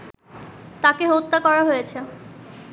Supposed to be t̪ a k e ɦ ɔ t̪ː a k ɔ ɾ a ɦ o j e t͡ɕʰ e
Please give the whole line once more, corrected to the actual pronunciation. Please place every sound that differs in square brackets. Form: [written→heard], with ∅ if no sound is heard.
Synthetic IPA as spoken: t̪ a k e ɦ [ɔ→o] t̪ː a k ɔ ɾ a ɦ o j e t͡ɕʰ e